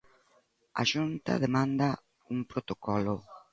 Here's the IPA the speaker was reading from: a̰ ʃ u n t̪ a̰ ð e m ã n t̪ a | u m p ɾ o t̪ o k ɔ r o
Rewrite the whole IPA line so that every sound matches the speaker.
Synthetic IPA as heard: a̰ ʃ u n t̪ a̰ ð e m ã n d̪ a | u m p ɾ o t̪ o k ɔ l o